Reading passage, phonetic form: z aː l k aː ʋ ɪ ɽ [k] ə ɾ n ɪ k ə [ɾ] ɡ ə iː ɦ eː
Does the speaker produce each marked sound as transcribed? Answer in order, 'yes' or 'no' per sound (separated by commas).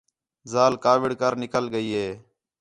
yes, no